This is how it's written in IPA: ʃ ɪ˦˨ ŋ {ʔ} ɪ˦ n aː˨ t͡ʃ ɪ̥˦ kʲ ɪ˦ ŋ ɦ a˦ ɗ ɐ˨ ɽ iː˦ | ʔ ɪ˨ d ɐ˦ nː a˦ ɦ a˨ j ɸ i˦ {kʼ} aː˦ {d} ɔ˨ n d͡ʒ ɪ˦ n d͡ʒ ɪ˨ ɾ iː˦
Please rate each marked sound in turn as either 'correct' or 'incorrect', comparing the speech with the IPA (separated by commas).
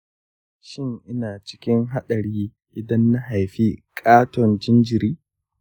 correct, correct, incorrect